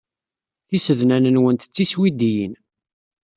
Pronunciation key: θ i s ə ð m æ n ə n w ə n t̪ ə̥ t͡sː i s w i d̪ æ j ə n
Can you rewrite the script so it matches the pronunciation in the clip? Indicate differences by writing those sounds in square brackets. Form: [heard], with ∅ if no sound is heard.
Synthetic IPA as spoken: θ i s ə ð [n] æ n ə n w ə n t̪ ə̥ t͡sː i s w i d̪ [i] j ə n